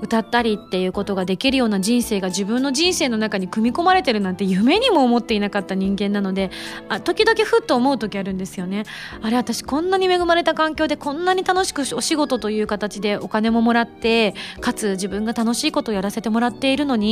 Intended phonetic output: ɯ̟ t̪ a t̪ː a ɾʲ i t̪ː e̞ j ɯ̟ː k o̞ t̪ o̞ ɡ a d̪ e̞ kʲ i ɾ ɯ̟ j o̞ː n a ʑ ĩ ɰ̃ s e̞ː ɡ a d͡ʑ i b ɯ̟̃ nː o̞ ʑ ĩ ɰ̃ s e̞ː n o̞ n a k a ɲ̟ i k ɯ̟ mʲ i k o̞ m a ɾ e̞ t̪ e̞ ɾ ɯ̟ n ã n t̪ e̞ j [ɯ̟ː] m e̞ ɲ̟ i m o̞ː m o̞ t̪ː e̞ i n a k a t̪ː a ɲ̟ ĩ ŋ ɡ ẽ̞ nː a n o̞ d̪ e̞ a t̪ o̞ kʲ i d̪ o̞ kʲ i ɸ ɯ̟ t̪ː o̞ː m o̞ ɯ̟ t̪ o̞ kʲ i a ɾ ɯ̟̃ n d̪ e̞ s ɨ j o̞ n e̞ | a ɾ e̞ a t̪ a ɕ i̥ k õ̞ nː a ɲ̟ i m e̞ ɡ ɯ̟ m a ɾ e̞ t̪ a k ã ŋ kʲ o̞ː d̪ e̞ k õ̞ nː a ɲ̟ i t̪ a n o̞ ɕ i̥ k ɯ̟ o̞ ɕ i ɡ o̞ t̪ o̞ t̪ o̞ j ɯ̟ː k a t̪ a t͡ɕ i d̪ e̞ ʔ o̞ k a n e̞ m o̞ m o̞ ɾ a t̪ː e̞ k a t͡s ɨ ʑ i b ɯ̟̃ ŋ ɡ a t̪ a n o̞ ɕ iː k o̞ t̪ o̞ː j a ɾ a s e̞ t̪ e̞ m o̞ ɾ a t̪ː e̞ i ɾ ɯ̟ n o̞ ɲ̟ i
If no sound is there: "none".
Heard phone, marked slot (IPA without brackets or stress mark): ɯ̟